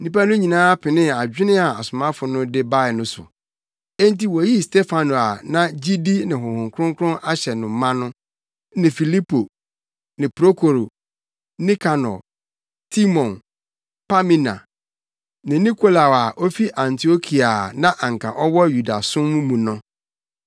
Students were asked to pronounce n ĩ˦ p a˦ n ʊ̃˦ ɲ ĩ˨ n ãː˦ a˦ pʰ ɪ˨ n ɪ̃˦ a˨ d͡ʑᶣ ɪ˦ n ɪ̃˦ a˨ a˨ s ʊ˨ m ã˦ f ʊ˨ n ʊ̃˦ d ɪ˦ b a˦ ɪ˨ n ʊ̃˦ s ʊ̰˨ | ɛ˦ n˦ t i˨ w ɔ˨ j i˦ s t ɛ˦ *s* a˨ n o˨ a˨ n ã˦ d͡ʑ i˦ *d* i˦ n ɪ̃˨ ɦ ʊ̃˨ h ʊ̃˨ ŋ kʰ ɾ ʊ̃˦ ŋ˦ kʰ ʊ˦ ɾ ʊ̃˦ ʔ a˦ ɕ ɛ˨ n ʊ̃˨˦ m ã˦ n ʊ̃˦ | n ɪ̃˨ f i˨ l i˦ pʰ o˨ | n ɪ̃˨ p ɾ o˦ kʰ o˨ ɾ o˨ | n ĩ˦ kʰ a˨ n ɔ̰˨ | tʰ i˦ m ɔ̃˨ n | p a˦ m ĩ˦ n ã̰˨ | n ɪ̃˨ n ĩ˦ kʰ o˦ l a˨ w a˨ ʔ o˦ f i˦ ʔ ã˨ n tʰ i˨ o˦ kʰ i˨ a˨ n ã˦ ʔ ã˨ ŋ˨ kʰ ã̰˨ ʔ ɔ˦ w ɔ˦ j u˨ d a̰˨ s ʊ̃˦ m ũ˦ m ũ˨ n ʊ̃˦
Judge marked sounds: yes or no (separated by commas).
no, yes